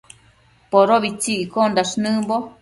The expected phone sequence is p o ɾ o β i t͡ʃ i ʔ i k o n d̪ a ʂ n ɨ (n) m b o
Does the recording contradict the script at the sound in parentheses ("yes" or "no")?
yes